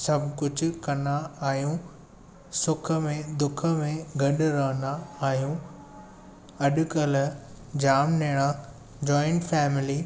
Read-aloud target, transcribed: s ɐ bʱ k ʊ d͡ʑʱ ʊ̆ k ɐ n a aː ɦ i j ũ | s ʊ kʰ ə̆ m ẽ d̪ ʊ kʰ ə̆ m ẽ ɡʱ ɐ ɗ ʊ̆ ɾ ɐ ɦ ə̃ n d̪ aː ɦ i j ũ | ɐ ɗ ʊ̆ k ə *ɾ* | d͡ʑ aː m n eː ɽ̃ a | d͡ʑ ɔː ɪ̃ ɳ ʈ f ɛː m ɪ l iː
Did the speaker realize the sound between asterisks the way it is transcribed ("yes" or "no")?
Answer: no